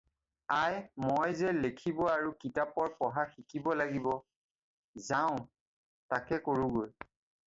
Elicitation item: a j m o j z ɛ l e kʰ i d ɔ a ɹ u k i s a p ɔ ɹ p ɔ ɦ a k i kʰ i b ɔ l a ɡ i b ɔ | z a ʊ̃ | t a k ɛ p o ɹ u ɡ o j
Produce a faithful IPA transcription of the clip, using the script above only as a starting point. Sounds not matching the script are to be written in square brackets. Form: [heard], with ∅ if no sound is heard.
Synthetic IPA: a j m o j z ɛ l e kʰ i [b] ɔ a ɹ u k i [t] a p ɔ ɹ p ɔ ɦ a [x] i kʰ i b ɔ l a ɡ i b ɔ | z a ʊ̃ | t a k ɛ [k] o ɹ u ɡ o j